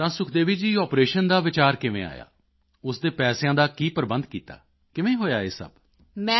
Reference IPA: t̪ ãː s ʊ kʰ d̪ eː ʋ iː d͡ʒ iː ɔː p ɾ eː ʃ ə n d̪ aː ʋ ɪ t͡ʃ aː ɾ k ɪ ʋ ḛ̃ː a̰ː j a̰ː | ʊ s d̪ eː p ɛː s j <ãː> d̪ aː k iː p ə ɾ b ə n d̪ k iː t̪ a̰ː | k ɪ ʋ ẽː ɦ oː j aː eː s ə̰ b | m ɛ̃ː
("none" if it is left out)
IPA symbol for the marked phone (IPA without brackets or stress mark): ãː